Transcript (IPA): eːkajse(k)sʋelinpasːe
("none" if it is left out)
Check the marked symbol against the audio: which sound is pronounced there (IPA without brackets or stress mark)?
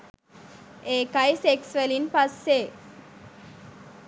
k